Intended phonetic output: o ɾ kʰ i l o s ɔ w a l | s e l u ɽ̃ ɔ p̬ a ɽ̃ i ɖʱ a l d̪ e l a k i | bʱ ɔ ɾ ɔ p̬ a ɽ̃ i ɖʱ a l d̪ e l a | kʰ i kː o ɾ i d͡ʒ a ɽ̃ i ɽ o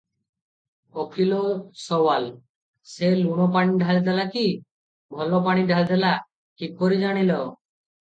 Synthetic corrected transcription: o kʰ i l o s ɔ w a l | s e l u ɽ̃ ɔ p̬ a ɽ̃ i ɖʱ a l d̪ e l a k i | bʱ ɔ l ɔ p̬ a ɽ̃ i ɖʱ a l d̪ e l a | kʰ i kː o ɾ i d͡ʒ a ɽ̃ i l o